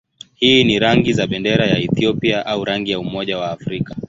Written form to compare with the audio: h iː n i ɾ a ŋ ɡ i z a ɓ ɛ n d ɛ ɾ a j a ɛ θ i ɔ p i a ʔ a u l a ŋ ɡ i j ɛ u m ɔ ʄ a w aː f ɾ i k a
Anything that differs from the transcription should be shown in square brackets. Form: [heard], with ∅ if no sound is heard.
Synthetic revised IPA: h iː n i ɾ a ŋ ɡ i z a ɓ ɛ n d ɛ ɾ a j a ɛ θ i ɔ p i a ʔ a u [ɾ] a ŋ ɡ i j [a] u m ɔ ʄ a w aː f ɾ i k a